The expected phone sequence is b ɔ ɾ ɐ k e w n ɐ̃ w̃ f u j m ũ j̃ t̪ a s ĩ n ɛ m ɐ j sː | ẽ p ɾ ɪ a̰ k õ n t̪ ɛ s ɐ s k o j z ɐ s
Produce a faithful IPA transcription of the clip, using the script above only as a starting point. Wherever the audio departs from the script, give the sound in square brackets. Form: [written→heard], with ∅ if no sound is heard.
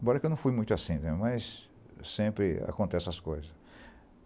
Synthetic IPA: b ɔ ɾ ɐ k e w n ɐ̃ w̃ f u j m ũ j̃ t̪ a s ĩ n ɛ m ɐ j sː | ẽ p ɾ ɪ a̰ k õ n t̪ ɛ s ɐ s k o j z ɐ s